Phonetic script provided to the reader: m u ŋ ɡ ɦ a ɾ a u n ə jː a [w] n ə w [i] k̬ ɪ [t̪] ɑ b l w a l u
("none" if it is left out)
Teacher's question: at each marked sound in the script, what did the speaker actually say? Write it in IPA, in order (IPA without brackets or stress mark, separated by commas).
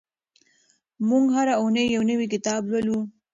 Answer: w, i, t̪